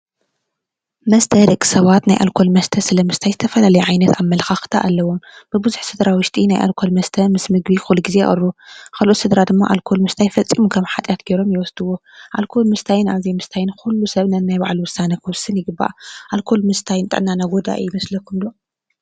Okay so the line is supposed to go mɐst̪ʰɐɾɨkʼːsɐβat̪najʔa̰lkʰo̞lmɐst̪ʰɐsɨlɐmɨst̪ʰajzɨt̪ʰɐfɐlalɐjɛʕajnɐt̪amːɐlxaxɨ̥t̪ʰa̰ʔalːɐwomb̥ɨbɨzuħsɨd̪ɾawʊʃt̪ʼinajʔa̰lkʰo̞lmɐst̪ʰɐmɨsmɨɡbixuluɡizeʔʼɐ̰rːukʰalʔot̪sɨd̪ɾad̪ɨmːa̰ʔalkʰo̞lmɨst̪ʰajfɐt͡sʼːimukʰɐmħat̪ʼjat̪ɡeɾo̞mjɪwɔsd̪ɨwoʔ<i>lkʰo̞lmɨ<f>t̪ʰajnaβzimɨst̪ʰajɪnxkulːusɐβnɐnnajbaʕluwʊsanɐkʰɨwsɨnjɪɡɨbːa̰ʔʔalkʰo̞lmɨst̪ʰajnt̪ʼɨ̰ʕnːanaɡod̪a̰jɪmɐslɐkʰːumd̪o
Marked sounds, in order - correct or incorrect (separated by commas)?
incorrect, incorrect